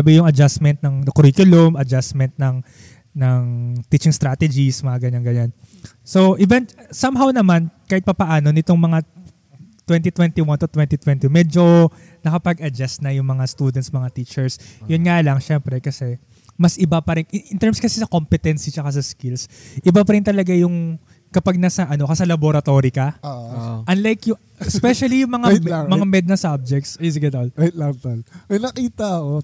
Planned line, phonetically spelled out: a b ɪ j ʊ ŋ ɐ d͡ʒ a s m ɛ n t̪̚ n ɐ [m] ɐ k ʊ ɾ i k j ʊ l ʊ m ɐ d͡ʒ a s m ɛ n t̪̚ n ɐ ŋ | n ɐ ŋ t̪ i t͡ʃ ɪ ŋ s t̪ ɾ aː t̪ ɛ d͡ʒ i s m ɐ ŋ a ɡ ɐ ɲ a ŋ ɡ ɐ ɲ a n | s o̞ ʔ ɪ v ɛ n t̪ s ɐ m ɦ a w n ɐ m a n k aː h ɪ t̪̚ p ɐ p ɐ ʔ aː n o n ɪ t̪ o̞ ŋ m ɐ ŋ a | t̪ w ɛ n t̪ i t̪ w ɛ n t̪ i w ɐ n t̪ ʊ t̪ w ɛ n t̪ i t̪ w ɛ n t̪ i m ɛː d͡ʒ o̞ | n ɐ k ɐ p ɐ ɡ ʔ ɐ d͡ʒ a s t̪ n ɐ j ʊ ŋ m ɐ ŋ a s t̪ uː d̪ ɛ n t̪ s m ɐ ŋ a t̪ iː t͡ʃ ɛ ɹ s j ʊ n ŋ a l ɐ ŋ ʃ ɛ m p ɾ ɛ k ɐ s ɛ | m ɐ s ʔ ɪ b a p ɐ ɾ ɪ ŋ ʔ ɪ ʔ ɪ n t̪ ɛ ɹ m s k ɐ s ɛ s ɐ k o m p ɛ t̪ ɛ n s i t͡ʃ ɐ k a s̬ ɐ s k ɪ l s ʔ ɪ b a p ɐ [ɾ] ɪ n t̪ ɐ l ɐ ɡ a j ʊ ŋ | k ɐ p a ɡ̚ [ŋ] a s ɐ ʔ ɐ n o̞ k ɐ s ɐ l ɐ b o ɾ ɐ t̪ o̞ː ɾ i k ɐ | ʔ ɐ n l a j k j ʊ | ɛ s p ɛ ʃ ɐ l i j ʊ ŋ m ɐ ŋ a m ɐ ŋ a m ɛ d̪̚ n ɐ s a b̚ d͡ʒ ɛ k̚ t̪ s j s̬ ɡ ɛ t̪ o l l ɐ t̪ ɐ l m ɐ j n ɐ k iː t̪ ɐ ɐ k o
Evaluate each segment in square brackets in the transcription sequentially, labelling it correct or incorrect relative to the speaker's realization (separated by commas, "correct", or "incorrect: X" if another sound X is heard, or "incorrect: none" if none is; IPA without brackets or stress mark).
incorrect: ŋ, correct, incorrect: n